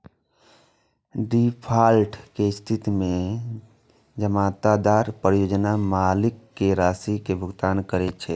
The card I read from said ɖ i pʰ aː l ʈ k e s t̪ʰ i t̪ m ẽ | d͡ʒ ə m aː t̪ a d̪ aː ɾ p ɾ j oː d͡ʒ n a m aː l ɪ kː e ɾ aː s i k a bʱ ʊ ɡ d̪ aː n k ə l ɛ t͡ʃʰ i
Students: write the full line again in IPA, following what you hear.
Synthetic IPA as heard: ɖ i pʰ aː l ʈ k e s t̪ʰ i t̪ m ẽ | d͡ʒ ə m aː t̪ a d̪ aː ɾ p ɾ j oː d͡ʒ n a m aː l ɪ kː e ɾ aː s i k e bʱ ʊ ɡ t̪ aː n k ə ɾ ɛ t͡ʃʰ ɛ

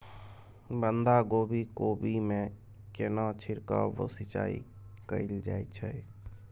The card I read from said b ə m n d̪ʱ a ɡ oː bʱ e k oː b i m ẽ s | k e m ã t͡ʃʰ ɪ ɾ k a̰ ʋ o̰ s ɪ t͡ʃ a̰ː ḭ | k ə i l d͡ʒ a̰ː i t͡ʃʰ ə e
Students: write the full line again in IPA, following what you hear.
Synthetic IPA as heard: b ə n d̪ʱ a ɡ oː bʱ i k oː b i m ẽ | k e n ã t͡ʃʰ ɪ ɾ k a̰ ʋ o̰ s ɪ t͡ʃ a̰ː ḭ | k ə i l d͡ʒ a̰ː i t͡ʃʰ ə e

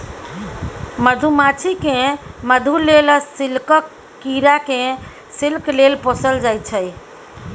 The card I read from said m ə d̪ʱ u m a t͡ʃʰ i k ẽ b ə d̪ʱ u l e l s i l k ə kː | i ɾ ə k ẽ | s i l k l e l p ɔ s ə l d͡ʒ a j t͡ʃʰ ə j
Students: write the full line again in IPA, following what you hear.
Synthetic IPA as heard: m ə d̪ʱ u m a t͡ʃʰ i k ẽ m ə d̪ʱ u l e l s i l k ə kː | i ɾ a k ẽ | s i l k l e l p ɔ s ə l d͡ʒ a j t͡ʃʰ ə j

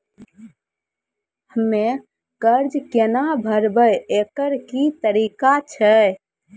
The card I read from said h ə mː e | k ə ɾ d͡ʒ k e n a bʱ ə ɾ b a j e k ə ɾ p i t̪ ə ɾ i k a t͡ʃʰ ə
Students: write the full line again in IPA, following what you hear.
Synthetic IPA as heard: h ə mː e | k ə ɾ d͡ʒ k e n a bʱ ə ɾ b ə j e k ə ɾ k i t̪ ə ɾ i k a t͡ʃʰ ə

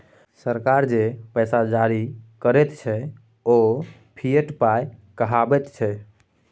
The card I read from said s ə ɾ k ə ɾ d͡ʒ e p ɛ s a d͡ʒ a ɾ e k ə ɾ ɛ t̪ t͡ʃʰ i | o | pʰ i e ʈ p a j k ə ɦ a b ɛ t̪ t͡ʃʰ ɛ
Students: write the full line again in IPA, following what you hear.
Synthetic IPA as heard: s ə ɾ k a ɾ d͡ʒ e p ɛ s a d͡ʒ a ɾ i k ə ɾ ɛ t̪ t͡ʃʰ ɛ | o | pʰ i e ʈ p a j k ə ɦ a b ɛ t̪ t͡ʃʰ ɛ

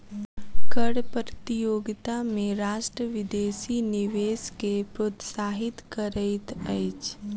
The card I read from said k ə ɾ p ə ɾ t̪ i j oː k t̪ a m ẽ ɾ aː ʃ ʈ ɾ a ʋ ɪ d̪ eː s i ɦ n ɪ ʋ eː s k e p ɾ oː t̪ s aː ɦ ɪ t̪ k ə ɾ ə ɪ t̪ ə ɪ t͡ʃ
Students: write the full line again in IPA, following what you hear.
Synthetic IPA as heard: k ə ɽ p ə ɾ t̪ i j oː ɡ t̪ a m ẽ ɾ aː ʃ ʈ ɾ ə ʋ ɪ d̪ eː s i n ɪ ʋ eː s k e p ɾ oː t̪ s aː ɦ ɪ t̪ k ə ɾ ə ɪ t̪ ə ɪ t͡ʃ

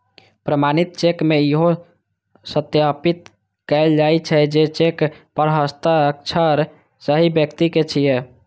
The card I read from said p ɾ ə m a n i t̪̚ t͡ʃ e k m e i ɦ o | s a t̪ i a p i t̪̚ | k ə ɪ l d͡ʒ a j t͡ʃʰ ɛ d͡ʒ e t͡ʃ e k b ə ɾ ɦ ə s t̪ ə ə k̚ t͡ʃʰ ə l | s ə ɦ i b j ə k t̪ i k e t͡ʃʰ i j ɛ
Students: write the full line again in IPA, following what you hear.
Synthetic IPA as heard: p ɾ ə m a n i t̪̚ t͡ʃ e k m e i ɦ o | s ə t̪ j a p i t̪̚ | k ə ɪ l d͡ʒ a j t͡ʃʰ ɛ d͡ʒ e t͡ʃ e k p ə ɾ ɦ ə s t̪ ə ə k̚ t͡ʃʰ ə ɾ | s ə ɦ i b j ə k t̪ i k e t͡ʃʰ i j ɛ

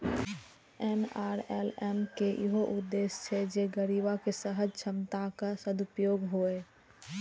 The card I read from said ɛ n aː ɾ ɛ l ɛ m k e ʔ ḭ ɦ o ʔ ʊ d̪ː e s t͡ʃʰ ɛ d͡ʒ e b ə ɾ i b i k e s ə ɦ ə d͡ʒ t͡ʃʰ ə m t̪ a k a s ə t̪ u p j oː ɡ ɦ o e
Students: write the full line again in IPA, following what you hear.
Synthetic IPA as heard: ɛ n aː ɾ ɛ l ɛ m k e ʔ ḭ ɦ o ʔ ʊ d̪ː e s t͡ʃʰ ɛ d͡ʒ e ɡ ə ɾ i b a k e s ə ɦ ə d͡ʒ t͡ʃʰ ə m t̪ a k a s ə d̪ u p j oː ɡ ɦ o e

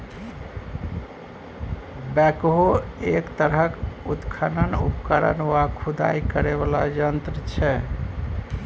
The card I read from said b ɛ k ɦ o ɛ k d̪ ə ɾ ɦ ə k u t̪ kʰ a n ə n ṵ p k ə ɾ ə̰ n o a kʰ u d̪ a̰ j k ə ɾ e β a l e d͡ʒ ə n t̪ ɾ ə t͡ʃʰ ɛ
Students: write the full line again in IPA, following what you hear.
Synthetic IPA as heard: b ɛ k ɦ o e k t̪ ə ɾ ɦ ə k u t̪ kʰ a n ə n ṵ p k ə ɾ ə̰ n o a kʰ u d̪ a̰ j k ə ɾ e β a l a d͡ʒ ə n t̪ ɾ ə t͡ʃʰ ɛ

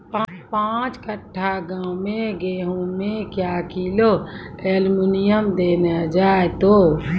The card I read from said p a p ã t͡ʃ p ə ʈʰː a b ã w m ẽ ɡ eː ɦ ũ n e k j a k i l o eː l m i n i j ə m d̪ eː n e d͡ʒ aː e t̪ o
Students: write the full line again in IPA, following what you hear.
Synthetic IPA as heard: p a p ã t͡ʃ k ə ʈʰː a ɡ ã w m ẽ ɡ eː ɦ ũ m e k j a k i l o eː l m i n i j ə m d̪ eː n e d͡ʒ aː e t̪ o

